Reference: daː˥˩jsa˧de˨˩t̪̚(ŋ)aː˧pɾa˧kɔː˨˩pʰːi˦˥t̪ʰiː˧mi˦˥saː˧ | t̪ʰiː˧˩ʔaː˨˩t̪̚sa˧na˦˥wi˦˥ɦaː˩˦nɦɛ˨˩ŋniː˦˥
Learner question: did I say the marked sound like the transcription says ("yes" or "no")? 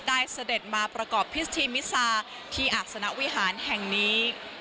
no